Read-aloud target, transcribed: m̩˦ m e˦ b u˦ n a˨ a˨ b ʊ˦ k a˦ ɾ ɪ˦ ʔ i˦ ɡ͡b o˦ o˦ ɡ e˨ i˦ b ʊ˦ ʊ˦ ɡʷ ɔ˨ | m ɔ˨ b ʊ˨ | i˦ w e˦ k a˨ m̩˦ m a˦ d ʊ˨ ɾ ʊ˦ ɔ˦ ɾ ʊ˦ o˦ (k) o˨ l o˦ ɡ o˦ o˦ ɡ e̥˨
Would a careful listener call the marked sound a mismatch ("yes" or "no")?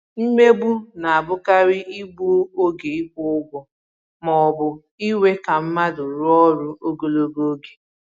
yes